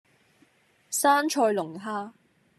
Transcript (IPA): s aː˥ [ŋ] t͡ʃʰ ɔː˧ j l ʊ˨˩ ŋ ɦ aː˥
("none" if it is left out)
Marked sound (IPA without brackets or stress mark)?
n